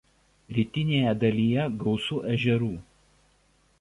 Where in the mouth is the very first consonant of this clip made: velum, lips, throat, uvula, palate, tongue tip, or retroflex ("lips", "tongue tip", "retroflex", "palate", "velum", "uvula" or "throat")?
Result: tongue tip